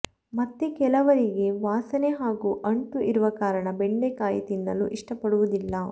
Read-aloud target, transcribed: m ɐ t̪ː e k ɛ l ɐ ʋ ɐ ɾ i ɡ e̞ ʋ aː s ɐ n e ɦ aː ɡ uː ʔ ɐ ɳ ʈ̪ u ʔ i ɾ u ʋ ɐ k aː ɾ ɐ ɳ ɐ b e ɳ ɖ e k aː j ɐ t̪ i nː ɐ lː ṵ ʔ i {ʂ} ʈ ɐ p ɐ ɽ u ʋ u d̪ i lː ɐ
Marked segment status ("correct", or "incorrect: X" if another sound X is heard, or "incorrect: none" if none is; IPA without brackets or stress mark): correct